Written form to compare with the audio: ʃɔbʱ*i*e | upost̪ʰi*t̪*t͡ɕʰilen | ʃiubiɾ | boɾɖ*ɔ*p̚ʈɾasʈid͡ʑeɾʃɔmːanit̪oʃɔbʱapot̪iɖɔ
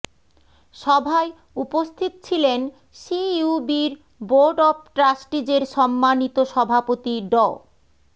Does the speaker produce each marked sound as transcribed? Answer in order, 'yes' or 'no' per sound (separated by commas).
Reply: no, yes, yes